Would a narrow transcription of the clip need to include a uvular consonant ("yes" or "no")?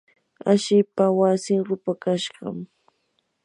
yes